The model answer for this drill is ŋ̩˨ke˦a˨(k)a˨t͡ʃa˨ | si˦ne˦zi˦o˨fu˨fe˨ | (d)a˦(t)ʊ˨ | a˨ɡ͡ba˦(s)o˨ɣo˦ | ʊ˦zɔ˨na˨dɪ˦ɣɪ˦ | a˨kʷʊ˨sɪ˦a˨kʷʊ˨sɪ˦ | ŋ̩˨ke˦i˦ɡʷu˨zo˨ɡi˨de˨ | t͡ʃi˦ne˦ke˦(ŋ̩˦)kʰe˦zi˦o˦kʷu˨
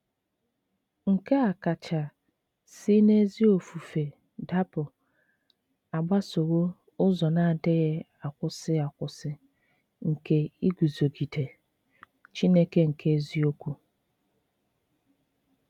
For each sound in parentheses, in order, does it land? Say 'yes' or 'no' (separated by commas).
yes, yes, no, yes, no